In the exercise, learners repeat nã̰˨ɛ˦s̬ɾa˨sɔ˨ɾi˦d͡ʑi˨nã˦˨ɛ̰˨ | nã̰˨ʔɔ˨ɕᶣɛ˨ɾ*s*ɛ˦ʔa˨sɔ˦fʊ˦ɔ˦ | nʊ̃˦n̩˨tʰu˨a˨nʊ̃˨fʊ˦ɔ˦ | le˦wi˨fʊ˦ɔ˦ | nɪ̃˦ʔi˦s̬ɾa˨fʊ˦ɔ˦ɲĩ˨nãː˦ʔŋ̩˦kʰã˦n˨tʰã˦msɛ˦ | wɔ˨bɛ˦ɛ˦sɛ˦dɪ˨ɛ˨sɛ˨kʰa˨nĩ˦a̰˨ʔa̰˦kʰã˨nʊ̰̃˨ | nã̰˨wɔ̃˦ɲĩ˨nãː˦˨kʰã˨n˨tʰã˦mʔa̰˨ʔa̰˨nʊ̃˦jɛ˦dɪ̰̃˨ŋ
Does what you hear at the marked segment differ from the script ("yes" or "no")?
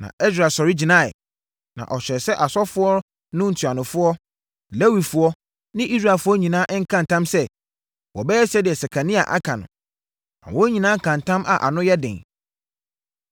no